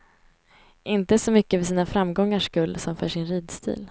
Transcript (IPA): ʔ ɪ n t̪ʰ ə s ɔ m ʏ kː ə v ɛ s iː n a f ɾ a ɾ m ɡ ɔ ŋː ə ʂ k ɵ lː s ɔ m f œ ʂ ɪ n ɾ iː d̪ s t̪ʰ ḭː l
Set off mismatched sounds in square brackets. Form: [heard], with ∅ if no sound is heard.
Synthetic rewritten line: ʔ ɪ n [t̪] ə s ɔ m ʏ kː ə v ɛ s iː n a f ɾ a [∅] m ɡ ɔ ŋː [a] ʂ k ɵ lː s ɔ m f œ ʂ ɪ n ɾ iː d̪ s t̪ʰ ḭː l